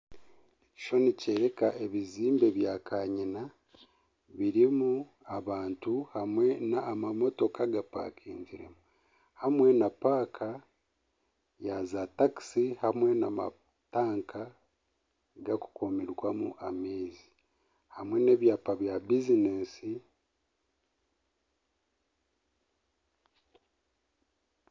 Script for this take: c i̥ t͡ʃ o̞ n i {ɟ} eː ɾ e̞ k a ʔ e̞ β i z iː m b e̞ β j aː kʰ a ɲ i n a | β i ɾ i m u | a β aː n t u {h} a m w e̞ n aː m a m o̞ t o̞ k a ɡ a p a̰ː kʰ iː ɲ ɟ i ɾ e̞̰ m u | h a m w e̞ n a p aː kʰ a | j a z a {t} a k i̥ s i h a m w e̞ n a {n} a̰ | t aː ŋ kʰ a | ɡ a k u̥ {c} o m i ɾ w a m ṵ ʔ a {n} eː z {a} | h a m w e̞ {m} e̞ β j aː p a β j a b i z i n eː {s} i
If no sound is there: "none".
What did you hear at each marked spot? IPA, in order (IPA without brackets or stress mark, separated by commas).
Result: c, h, t, m, k, m, i, n, s